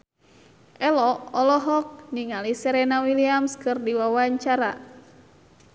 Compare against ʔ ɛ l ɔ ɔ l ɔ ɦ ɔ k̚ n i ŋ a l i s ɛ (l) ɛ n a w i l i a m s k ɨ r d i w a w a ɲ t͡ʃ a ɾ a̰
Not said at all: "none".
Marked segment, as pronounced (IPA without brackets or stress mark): ɾ